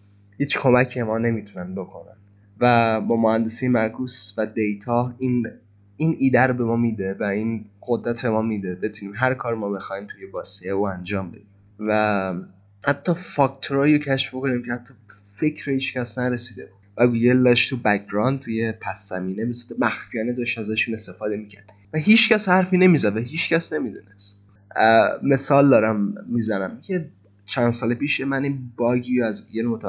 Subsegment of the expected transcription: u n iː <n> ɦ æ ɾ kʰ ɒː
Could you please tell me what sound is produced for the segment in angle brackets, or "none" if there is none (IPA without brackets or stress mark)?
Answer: m